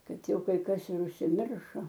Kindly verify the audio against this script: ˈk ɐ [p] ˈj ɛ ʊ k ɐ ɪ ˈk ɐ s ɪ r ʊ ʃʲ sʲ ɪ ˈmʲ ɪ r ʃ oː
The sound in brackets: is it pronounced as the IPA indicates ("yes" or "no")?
no